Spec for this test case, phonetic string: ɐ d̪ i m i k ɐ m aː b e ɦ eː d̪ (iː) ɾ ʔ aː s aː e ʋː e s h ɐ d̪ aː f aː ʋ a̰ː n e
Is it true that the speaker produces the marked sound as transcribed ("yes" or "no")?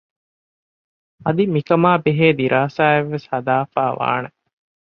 no